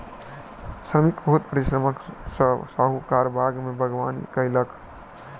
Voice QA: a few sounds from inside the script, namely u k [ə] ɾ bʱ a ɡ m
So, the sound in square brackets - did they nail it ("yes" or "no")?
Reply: no